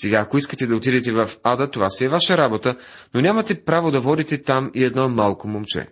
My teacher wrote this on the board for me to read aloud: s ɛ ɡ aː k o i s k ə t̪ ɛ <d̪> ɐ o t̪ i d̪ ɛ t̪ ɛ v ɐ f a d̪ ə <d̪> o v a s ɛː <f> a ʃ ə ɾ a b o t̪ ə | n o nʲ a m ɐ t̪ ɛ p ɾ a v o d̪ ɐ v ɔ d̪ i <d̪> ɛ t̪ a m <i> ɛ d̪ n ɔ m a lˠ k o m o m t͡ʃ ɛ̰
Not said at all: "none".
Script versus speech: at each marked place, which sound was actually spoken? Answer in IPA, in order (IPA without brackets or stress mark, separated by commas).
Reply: d̪, t̪, v, t̪, i